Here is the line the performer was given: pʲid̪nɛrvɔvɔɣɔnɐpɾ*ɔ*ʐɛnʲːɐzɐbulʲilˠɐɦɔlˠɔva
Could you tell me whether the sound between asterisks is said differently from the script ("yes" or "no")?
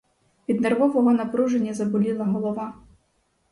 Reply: yes